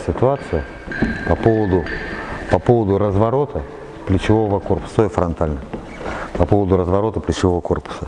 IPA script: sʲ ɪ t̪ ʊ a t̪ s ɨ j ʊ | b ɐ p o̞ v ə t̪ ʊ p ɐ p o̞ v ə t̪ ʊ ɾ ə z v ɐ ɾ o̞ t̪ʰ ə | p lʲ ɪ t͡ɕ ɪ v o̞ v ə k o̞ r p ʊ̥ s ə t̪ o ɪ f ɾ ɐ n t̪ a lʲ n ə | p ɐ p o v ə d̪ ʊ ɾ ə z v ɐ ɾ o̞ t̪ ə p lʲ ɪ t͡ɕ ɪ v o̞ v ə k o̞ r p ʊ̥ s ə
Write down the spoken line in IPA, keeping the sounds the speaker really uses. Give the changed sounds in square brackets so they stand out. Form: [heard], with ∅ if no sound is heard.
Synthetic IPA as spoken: sʲ ɪ t̪ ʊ a t̪ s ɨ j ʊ | [p] ɐ p o̞ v ə [d̪] ʊ p ɐ p o̞ v ə [d̪] ʊ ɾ ə z v ɐ ɾ o̞ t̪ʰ ə | p lʲ ɪ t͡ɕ ɪ v o̞ v ə k o̞ r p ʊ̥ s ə t̪ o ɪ f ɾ ɐ n t̪ a lʲ n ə | p ɐ p o v ə d̪ ʊ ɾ ə z v ɐ ɾ o̞ t̪ ə p lʲ ɪ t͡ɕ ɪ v o̞ v ə k o̞ r p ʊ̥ s ə